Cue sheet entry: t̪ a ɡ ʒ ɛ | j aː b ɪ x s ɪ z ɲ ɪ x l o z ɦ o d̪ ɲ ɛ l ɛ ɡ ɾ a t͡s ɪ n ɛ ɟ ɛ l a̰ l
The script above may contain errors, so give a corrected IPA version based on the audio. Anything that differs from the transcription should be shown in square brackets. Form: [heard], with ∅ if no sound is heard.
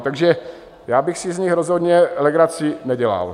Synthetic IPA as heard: t̪ a ɡ ʒ ɛ | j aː b ɪ x s ɪ z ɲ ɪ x [ɾ] o z ɦ o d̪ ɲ ɛ l ɛ ɡ ɾ a t͡s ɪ n ɛ ɟ ɛ l a̰ l